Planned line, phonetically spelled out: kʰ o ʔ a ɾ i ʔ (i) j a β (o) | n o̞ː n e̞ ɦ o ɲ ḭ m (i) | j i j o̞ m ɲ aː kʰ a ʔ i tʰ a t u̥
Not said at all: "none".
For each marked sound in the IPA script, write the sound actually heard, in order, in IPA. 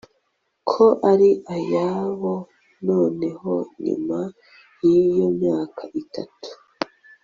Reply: a, o, a

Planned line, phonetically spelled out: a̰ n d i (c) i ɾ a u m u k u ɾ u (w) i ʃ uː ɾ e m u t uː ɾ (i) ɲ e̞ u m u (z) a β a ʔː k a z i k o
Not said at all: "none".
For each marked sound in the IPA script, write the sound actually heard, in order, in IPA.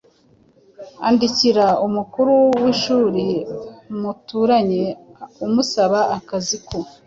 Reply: c, w, a, s

